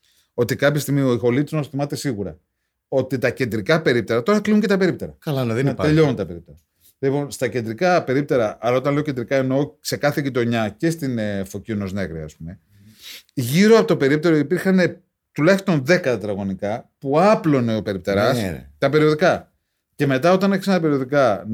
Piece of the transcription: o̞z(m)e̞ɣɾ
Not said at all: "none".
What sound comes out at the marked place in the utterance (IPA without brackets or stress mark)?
n